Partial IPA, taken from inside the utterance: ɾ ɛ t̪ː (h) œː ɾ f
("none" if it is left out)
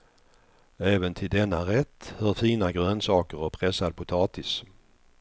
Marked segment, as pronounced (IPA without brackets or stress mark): h